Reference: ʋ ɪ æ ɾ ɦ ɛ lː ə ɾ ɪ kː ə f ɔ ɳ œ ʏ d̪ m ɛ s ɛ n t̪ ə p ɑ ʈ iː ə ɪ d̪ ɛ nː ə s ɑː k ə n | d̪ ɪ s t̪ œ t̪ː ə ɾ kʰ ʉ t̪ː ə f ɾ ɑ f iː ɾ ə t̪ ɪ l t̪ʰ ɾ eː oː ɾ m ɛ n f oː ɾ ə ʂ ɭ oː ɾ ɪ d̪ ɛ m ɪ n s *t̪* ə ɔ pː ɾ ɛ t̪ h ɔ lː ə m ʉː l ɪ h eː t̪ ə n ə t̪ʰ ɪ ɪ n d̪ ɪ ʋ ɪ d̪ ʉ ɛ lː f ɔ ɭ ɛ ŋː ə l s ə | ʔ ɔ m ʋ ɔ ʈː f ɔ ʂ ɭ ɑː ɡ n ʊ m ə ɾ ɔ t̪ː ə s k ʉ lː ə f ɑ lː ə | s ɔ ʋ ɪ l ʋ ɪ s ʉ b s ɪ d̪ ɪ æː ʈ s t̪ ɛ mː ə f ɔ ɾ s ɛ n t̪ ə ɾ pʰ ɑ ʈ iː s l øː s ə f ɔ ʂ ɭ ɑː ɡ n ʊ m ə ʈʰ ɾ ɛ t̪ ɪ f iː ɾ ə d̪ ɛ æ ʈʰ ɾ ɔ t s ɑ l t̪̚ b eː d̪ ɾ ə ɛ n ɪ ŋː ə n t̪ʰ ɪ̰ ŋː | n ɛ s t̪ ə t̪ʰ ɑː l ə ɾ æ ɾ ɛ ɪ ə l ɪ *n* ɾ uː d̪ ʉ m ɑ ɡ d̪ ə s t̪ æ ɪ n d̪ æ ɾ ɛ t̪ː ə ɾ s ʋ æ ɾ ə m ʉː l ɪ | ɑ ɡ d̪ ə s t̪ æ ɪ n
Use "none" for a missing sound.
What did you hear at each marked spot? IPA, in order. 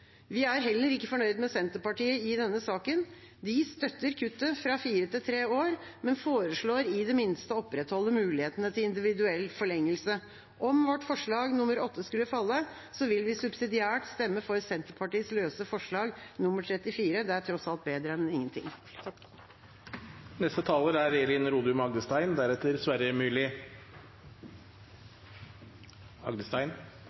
t̪, n

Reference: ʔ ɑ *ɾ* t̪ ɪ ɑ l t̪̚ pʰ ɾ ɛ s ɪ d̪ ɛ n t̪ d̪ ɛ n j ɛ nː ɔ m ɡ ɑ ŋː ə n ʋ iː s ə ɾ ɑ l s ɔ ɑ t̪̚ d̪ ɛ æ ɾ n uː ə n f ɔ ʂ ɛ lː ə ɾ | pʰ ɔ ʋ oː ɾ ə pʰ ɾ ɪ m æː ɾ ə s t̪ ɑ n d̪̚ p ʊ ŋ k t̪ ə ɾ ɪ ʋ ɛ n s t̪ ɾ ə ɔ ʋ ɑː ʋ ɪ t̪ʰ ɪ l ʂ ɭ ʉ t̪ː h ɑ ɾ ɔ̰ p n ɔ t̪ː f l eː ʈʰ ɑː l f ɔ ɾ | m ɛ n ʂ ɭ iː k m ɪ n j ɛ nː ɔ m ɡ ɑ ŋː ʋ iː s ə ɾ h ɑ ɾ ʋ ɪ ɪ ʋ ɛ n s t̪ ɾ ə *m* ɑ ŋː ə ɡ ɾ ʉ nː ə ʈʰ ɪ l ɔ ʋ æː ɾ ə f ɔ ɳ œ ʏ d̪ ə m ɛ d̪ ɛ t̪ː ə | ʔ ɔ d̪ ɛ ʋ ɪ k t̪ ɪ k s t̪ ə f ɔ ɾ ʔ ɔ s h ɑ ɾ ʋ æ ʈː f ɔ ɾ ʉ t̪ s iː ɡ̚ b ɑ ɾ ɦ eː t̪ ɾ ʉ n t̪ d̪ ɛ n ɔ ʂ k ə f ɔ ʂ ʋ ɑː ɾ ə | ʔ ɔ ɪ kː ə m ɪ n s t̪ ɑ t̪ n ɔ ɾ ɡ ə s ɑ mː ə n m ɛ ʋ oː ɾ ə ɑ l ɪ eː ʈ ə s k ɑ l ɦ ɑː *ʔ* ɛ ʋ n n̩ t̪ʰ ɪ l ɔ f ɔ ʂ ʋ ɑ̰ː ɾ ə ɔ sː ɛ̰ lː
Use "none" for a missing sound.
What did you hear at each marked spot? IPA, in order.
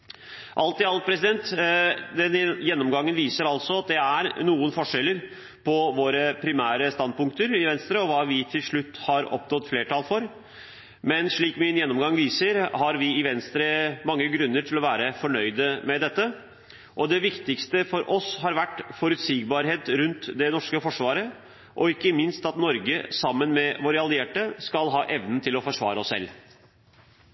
l, m, ʔ

